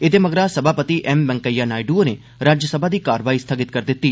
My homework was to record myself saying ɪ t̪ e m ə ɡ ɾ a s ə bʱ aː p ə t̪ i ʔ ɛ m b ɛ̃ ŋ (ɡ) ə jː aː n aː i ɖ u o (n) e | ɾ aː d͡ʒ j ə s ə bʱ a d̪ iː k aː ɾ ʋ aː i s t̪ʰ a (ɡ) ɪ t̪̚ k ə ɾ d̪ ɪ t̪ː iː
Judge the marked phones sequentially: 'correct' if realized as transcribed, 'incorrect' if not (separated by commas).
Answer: incorrect, correct, correct